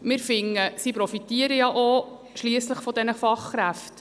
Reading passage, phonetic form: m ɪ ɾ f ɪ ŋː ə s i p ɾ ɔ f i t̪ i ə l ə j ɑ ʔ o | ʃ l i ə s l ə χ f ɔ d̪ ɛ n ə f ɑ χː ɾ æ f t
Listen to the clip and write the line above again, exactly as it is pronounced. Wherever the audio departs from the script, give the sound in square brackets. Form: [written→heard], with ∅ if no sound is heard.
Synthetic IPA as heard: m ɪ ɾ f ɪ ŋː ə s i p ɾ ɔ f i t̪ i ə [l→ɾ] ə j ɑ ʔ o | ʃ l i ə s l ə χ f ɔ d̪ ɛ n ə f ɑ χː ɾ æ f t

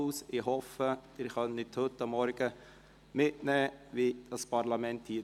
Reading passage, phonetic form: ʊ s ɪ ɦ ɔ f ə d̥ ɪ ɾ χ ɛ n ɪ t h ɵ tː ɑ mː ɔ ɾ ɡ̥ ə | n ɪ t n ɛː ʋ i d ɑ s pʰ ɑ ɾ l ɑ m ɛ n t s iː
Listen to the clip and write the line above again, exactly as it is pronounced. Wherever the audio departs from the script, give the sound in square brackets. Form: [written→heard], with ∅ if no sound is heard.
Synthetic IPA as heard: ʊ s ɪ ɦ ɔ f ə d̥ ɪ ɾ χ [ɛ→œ] n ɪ t h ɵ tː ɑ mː ɔ ɾ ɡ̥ ə | [n→m] ɪ t n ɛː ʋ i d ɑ s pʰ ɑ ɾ l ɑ m ɛ n t [s→h] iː

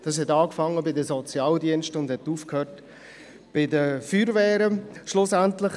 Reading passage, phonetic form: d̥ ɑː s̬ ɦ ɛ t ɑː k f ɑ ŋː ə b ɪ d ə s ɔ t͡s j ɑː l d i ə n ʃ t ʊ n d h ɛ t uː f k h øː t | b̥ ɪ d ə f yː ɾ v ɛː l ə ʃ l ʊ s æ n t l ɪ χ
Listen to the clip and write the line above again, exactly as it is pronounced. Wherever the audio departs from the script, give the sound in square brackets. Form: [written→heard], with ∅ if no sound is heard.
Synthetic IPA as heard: d̥ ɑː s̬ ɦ ɛ t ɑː k f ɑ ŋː ə b ɪ d ə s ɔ t͡s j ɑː l d i ə n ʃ t ʊ n d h ɛ t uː f k h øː t | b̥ ɪ d ə f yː ɾ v ɛː [l→ɾ] ə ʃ l ʊ s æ n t l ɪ χ

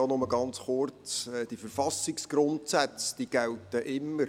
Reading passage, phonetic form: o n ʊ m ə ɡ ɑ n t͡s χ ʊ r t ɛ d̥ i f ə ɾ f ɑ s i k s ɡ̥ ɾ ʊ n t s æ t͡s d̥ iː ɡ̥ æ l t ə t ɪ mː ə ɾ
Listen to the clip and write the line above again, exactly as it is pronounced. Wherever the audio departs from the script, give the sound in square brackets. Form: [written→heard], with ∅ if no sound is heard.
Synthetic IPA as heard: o n ʊ m ə ɡ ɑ n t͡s χ ʊ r [t→t͡s] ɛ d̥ i f ə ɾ f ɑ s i k s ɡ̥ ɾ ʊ n t s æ t͡s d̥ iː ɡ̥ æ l t ə [t→ʔ] ɪ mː ə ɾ

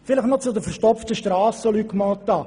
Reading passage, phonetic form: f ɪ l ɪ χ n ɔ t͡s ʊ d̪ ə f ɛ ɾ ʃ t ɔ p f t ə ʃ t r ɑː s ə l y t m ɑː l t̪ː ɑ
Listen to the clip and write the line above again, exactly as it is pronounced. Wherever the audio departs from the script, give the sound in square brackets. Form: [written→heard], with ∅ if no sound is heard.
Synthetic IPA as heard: f ɪ l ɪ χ n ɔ t͡s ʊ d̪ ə f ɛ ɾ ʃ t ɔ p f t ə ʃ t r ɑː s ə l y [t→k] m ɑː l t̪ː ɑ

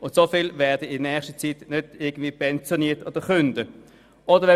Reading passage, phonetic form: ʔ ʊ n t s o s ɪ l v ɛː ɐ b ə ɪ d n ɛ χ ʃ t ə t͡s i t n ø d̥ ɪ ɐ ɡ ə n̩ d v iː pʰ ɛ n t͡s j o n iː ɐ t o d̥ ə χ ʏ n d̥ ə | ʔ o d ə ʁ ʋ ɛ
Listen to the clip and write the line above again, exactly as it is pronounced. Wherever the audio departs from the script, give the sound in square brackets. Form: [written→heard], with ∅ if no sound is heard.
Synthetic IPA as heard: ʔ ʊ n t s o [s→f] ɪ l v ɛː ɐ [b→d] ə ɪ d n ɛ χ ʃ t ə t͡s i t n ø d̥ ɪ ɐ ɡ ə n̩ d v iː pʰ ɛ n t͡s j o n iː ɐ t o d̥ ə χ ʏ n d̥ ə | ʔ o d ə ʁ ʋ ɛ

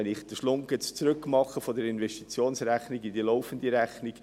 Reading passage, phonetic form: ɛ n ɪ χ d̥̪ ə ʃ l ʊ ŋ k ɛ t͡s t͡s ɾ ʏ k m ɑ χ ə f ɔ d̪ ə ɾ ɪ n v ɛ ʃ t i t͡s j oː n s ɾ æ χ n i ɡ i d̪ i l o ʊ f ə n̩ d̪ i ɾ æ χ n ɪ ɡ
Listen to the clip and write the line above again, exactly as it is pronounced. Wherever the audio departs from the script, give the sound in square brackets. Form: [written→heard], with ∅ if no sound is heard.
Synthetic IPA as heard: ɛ n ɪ χ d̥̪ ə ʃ l ʊ ŋ k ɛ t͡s t͡s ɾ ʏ k m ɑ χ ə f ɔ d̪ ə ɾ ɪ n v ɛ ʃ t i t͡s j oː n s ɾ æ χ n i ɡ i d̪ i l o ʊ f ə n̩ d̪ i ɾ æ χ n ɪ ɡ

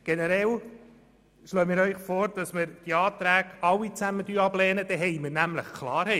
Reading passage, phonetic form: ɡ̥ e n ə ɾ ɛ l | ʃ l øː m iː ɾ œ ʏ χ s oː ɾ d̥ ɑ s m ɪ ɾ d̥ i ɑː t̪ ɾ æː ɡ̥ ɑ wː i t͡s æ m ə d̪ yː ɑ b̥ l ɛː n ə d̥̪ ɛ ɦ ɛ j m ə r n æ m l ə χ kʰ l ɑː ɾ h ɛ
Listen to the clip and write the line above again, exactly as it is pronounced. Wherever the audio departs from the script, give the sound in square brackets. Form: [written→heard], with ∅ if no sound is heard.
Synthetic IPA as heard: ɡ̥ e n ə ɾ ɛ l | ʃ l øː m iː ɾ œ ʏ χ [s→f] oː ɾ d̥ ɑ s m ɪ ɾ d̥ i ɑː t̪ ɾ æː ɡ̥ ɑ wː i t͡s æ m ə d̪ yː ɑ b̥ l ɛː n ə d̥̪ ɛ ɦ ɛ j m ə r n æ m l ə χ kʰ l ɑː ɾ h ɛ

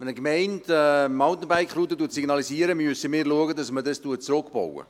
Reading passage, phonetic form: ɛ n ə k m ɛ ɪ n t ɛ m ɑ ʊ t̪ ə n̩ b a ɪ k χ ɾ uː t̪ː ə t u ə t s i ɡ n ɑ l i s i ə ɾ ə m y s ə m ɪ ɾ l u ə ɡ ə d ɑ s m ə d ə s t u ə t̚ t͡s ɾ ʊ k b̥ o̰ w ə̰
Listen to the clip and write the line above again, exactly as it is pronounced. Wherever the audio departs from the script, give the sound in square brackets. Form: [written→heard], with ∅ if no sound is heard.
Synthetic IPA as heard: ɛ n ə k m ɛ ɪ n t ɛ m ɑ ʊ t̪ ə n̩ b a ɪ k χ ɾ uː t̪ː ə t u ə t s i ɡ n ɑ l i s i ə ɾ ə m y s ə m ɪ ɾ l u ə ɡ ə d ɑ s m ə d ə s t u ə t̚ t͡s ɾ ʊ k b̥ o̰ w ə̰

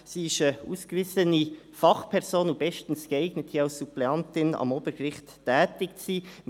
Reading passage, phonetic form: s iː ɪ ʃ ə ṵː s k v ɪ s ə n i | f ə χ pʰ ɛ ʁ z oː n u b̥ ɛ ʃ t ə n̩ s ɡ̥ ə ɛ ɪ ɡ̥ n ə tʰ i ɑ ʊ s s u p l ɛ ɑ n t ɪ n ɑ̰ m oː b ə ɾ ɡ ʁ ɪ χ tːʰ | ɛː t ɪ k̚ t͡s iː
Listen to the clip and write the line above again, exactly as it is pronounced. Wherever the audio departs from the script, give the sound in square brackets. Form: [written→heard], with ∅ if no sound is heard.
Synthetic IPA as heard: s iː ɪ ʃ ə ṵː s k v ɪ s ə n i | f [ə→ɑ] χ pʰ ɛ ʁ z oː n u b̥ ɛ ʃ t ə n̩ s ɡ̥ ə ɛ ɪ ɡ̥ n ə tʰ i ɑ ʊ s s u p l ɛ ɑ n t ɪ n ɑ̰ m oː b ə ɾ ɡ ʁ ɪ χ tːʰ | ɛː t ɪ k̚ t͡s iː

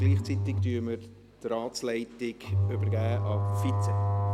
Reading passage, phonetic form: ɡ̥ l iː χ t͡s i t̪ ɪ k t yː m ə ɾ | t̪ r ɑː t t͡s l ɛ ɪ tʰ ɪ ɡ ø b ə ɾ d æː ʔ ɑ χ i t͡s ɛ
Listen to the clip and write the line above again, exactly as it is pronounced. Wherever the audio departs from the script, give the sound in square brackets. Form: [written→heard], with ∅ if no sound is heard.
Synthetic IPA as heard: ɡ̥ l iː χ t͡s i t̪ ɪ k t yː m ə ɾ | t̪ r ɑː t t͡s l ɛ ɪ [tʰ→t] ɪ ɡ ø b ə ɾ [d→ɡ] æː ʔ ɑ [χ→f] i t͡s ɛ

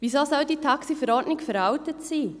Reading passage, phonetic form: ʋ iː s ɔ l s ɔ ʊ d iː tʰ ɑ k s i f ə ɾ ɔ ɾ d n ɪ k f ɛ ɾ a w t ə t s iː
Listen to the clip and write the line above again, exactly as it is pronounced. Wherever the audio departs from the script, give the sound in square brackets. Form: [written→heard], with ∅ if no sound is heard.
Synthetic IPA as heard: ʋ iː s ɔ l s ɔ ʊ d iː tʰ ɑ k s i f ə ɾ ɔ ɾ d n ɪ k f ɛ ɾ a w t ə t s iː

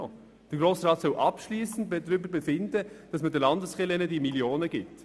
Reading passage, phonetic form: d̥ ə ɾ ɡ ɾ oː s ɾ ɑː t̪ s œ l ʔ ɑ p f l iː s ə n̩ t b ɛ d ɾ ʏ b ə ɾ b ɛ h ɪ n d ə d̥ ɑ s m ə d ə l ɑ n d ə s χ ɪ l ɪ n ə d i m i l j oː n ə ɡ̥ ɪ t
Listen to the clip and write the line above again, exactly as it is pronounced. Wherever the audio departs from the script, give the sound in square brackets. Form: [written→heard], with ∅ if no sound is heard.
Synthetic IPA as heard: d̥ ə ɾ ɡ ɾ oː s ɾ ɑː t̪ s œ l ʔ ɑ p [f→ʃ] l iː s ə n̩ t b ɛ d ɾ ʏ b ə ɾ b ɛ [h→f] ɪ n d ə d̥ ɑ s m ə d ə l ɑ n d ə s χ ɪ l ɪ n ə d i m i l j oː n ə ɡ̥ ɪ t

